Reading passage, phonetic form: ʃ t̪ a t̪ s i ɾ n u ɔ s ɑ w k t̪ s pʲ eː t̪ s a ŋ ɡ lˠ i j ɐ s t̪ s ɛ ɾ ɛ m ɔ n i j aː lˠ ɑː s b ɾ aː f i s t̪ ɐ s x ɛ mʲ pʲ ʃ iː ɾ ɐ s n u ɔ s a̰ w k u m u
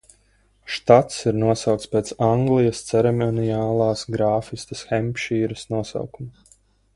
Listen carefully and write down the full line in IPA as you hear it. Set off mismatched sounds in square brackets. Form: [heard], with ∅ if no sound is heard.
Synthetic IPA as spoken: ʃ t̪ a t̪ s i ɾ n u ɔ s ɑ w k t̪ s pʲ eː t̪ s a ŋ ɡ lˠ i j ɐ s t̪ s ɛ ɾ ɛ m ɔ n i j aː lˠ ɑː s [ɡ] ɾ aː f i s t̪ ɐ s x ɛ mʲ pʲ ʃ iː ɾ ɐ s n u ɔ s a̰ w k u m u